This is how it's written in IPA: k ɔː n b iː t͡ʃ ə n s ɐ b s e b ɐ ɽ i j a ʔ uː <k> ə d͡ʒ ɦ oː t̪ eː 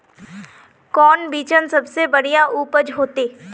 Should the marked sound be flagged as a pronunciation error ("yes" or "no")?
yes